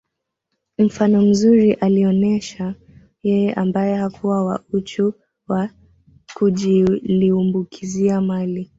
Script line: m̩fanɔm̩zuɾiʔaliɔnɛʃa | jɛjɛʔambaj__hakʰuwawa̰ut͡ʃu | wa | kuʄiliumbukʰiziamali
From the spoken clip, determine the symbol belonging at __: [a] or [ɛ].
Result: ɛ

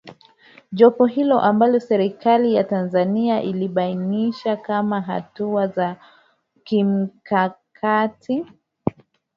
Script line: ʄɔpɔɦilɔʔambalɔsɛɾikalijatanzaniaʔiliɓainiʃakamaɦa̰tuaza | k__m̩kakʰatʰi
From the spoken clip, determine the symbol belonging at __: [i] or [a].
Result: i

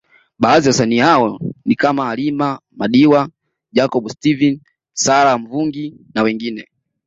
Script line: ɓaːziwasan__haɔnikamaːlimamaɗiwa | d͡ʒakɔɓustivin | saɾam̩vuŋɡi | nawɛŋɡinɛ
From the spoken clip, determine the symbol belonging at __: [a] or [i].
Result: i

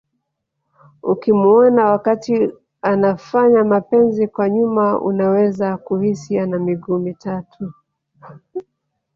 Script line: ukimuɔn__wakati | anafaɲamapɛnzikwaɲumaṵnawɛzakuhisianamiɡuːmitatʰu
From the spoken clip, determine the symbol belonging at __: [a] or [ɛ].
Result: a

